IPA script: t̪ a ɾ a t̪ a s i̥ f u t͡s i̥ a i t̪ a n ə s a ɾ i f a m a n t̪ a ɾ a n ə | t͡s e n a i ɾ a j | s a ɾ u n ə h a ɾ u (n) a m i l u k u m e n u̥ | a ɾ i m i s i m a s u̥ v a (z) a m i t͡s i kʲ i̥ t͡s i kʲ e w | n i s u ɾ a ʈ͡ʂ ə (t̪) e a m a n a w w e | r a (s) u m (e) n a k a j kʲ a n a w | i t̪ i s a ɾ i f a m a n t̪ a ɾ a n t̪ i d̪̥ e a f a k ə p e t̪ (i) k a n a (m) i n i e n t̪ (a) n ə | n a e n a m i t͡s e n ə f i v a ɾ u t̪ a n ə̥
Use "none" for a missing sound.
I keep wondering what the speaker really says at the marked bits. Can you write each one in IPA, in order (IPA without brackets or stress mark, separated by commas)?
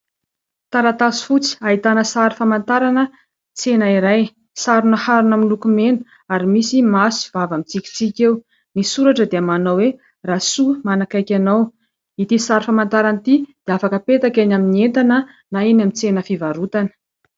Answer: n, v, d̪, s, a, a, m, a